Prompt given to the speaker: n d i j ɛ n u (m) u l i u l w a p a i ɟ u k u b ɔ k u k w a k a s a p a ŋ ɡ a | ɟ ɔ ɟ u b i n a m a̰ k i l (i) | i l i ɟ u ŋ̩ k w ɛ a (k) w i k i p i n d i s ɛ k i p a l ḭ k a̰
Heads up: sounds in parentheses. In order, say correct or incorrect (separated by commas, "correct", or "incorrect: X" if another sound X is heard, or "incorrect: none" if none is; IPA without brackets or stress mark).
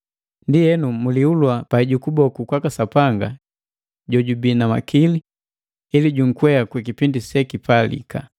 correct, correct, correct